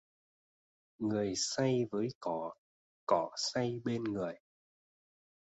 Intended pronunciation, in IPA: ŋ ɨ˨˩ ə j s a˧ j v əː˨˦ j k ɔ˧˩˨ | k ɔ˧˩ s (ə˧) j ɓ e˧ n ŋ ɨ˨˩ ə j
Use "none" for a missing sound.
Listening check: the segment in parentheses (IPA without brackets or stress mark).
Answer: a˧